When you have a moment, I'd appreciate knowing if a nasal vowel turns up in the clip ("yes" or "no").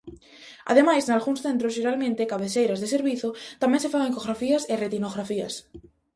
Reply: yes